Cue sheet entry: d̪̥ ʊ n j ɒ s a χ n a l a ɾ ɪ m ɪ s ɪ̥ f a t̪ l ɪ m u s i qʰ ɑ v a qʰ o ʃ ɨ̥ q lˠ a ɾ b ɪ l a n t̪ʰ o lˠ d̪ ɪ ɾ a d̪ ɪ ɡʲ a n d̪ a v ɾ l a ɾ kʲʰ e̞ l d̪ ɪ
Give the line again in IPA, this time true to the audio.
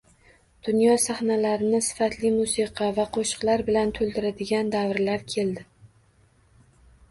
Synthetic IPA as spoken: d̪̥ ʊ n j ɒ s a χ n a l a ɾ ɪ n ɪ s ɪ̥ f a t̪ l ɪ m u s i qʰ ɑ v a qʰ o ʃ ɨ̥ q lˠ a ɾ b ɪ l a n t̪ʰ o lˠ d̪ ɪ ɾ a d̪ ɪ ɡʲ a n d̪ a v ɾ l a ɾ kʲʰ e̞ l d̪ ɪ